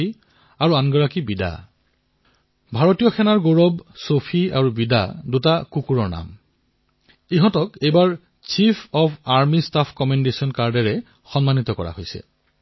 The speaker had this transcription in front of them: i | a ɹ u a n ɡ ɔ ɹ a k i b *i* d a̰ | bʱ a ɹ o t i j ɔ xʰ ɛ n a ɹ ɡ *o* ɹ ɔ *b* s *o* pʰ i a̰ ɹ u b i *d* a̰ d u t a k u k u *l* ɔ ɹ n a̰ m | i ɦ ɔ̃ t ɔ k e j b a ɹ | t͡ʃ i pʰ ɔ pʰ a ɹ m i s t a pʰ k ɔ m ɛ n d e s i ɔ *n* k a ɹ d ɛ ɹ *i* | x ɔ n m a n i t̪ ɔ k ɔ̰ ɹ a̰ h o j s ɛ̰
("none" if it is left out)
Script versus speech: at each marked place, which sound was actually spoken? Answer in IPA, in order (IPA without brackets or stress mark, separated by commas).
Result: i, o, b, o, d, ɹ, n, ɛ